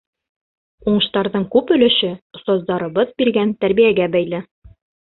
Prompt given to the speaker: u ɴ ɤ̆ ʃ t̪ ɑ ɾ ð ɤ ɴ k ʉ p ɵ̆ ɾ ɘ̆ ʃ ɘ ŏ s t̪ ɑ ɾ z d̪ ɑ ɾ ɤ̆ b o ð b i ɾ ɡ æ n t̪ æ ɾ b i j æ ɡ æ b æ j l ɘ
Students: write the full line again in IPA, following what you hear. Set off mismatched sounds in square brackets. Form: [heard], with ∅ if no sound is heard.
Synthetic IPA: u ɴ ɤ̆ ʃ t̪ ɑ ɾ ð ɤ ɴ k ʉ p ɵ̆ [l] ɘ̆ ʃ ɘ ŏ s t̪ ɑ [∅] z d̪ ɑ ɾ ɤ̆ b [ɤ] ð b i ɾ ɡ æ n t̪ æ ɾ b i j æ ɡ æ b æ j l ɘ